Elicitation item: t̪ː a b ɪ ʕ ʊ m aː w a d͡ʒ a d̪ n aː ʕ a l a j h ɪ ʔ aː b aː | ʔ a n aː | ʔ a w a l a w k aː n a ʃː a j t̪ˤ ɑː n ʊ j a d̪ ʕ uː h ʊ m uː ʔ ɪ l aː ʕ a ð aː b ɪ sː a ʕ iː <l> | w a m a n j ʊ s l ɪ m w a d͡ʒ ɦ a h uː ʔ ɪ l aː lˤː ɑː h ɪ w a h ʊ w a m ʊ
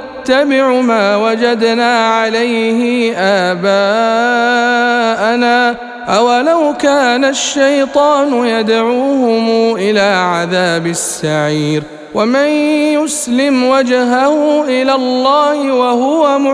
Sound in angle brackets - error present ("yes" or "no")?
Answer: yes